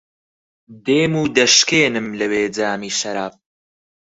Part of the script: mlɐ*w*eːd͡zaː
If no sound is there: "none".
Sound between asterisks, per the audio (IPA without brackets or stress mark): w